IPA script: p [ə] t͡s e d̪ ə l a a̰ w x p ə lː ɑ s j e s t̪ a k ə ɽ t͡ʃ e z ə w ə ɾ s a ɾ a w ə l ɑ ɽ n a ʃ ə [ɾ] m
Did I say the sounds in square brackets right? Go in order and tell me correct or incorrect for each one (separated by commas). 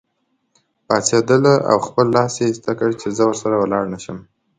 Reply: incorrect, incorrect